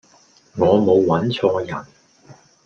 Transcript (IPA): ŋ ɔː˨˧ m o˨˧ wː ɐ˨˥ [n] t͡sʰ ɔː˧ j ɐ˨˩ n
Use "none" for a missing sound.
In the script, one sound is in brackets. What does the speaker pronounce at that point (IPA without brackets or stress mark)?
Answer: n